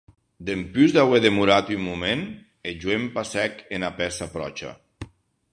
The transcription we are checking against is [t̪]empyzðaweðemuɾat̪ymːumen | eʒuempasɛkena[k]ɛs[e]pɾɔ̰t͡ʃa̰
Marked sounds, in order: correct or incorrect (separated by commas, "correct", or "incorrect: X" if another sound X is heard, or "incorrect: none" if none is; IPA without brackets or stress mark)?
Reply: incorrect: d̪, incorrect: p, incorrect: a